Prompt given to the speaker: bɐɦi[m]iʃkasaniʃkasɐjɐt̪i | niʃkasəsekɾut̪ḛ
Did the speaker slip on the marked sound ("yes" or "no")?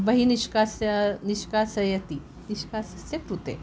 yes